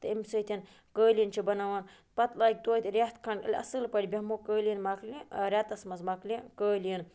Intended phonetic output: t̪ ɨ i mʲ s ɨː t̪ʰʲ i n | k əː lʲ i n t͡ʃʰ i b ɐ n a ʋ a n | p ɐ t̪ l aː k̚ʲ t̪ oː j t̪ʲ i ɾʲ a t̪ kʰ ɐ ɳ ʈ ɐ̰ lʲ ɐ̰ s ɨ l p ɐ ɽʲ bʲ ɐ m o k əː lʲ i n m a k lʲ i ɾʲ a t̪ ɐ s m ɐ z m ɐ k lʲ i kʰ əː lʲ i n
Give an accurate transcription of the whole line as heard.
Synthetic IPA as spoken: t̪ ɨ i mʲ s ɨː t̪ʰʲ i n | k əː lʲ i n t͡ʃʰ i b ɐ n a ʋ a n | p ɐ t̪ l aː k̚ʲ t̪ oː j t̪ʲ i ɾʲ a t̪ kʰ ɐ ɳ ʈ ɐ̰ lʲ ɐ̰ s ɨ l p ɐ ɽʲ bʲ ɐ m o k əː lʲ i n m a k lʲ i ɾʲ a t̪ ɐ s m ɐ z m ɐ k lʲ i k əː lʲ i n